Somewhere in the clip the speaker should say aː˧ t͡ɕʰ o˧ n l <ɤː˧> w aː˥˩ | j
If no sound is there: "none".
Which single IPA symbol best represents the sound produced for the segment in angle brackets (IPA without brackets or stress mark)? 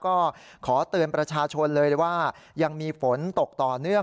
ɤː˧